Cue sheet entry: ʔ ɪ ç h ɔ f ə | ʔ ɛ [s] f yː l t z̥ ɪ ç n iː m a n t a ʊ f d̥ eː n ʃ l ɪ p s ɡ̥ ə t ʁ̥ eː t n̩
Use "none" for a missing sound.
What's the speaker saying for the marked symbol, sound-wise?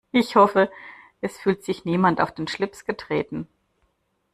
s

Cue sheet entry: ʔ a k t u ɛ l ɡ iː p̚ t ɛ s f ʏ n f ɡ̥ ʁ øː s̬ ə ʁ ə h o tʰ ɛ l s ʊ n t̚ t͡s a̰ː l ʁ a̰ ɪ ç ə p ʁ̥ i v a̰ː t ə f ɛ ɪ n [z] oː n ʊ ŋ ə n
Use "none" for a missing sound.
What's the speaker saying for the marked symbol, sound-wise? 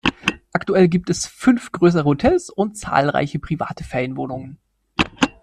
v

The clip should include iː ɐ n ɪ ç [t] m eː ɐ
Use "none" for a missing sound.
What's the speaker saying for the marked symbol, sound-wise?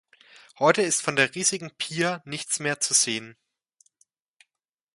t͡s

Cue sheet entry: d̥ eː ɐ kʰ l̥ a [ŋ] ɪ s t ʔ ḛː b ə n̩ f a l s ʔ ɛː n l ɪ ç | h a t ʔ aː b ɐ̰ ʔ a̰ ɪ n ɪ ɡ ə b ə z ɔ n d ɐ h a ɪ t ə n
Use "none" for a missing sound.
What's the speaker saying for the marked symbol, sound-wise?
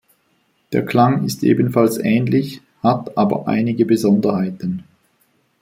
ŋ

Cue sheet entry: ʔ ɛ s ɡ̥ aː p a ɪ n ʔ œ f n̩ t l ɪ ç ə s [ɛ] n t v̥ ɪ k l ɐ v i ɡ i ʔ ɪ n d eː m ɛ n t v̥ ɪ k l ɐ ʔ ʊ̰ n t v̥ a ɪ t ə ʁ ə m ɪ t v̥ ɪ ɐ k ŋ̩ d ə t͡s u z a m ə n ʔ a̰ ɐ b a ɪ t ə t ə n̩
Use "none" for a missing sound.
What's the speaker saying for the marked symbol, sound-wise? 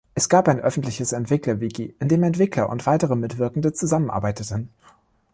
ɛ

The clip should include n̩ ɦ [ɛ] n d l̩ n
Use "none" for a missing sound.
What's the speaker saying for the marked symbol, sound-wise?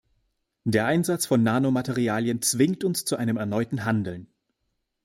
a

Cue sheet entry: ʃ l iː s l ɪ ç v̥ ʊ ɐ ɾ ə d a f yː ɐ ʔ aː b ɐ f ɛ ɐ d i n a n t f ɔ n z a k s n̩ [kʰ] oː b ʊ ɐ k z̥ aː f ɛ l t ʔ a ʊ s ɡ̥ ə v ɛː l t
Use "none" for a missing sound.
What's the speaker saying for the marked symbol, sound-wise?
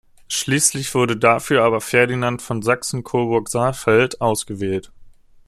kʰ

